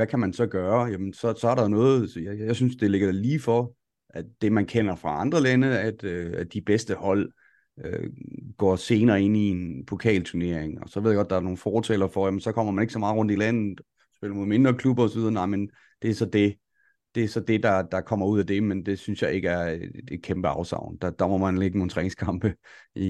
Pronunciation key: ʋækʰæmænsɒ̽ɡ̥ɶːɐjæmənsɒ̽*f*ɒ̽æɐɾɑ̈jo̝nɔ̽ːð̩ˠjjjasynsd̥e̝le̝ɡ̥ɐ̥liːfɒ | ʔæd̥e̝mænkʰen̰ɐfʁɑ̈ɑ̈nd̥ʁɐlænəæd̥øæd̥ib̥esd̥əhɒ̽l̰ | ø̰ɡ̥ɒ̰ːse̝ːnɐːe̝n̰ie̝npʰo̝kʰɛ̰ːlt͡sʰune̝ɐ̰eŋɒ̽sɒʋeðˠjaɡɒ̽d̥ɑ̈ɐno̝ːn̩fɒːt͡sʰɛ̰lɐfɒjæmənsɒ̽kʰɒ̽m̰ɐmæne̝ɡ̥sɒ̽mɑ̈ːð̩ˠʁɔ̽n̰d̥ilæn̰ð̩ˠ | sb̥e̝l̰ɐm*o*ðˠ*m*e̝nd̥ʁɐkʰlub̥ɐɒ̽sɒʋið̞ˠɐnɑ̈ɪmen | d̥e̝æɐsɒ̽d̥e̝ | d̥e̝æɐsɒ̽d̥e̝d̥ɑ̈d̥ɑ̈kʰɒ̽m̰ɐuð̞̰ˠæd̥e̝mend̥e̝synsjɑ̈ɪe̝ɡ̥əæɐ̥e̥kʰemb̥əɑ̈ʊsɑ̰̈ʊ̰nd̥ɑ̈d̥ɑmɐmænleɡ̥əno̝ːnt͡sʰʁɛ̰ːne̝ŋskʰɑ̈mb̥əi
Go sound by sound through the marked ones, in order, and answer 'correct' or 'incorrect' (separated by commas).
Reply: incorrect, correct, correct